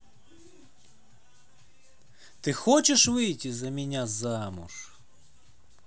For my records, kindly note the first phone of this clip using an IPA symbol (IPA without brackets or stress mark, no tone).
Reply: t̪